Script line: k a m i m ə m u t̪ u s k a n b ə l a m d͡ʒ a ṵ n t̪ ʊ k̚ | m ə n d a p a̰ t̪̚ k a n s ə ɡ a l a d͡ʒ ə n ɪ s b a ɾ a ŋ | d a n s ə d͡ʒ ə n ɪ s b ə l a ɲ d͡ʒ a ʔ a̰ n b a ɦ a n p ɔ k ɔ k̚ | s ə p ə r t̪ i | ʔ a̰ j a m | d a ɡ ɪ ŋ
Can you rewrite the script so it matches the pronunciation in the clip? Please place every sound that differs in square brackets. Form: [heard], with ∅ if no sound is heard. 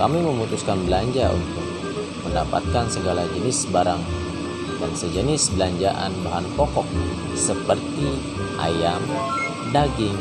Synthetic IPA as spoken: k a m i m ə m u t̪ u s k a n b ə l a [ɲ] d͡ʒ a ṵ n t̪ ʊ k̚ | m ə n d a p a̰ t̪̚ k a n s ə ɡ a l a d͡ʒ ə n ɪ s b a ɾ a ŋ | d a n s ə d͡ʒ ə n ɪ s b ə l a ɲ d͡ʒ a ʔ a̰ n b a ɦ a n p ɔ k ɔ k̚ | s ə p ə r t̪ i | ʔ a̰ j a m | d a ɡ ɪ ŋ